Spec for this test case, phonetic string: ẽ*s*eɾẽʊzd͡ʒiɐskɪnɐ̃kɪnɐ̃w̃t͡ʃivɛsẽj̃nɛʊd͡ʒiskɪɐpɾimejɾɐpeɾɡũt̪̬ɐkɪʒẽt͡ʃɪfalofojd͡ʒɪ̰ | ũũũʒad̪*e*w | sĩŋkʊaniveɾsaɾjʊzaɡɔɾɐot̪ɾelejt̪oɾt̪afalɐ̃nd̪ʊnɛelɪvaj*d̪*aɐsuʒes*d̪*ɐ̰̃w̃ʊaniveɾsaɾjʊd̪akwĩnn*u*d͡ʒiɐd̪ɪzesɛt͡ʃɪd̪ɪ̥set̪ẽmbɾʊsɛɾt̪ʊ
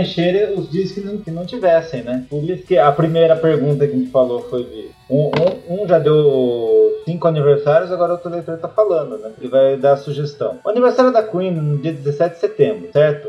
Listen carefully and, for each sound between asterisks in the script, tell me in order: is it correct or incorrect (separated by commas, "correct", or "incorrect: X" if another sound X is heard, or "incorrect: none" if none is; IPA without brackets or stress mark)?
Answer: incorrect: ʃ, correct, correct, incorrect: t̪, incorrect: ʊ